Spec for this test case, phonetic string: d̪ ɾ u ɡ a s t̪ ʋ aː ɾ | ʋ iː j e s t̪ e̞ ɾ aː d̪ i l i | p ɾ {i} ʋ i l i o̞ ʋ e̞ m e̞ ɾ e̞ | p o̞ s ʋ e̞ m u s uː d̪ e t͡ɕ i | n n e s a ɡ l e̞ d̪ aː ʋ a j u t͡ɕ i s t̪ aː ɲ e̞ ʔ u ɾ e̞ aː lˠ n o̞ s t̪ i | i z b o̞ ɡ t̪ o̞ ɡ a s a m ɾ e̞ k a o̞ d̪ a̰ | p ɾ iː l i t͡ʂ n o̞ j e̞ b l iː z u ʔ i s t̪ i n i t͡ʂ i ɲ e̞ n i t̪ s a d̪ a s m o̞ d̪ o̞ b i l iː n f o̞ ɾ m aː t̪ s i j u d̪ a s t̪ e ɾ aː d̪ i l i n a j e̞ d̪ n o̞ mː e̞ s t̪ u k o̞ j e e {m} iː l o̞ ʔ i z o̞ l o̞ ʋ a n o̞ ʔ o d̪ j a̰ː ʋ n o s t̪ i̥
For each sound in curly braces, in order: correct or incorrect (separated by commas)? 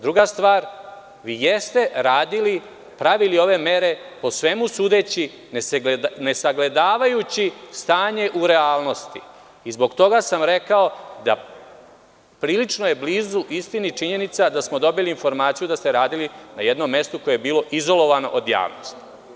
incorrect, incorrect